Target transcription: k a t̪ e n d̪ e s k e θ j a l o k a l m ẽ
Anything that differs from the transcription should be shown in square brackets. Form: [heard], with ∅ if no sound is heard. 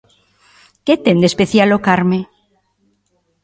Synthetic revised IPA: k [e] t̪ e n d̪ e s [p] e θ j a l o k a [ɾ] m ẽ